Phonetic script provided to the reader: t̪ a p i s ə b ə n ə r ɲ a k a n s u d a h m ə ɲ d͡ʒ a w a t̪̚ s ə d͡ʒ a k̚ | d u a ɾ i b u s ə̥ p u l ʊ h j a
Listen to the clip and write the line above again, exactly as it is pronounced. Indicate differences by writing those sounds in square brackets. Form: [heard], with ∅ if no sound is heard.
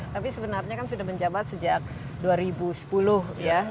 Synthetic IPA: t̪ a p i s ə b ə n [a] r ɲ a k a n s u d a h m ə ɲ d͡ʒ a [b] a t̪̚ s ə d͡ʒ a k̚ | d u a ɾ i b u s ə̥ p u l ʊ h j a